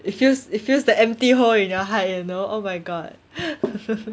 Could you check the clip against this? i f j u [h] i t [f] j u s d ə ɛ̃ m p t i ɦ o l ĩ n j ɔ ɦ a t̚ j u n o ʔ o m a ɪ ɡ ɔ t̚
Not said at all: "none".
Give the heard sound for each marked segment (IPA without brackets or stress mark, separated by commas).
s, f